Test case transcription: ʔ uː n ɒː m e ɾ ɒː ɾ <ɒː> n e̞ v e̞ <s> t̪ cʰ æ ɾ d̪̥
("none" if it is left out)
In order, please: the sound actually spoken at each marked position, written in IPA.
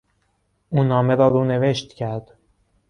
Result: uː, ʃ

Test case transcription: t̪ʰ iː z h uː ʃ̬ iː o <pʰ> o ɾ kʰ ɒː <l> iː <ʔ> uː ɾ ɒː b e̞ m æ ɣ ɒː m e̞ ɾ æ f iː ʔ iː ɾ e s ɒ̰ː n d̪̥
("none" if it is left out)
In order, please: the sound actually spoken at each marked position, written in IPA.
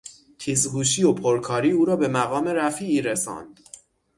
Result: pʰ, ɾ, none

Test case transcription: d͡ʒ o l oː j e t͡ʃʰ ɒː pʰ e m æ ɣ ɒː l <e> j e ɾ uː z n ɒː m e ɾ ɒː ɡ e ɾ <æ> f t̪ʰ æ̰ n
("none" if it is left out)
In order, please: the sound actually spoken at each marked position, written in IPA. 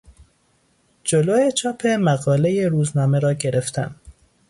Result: e, e

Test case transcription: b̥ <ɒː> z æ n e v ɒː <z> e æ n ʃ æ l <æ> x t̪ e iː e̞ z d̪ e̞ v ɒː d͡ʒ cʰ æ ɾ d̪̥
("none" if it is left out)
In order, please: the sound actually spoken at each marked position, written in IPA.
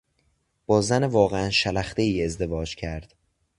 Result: ɒː, ɣ, æ

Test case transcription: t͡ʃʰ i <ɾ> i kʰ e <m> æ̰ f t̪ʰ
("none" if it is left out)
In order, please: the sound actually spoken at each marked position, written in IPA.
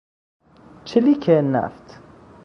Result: l, n

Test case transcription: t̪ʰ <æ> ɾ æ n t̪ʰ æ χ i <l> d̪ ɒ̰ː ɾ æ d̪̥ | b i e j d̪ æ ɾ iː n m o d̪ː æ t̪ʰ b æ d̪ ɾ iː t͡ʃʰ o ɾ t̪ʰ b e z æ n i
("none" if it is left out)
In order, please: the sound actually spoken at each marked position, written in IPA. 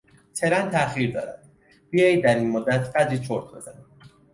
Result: e, ɾ

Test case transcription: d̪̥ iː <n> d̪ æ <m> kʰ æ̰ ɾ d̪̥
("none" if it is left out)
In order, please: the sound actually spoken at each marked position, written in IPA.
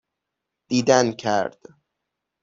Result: none, n

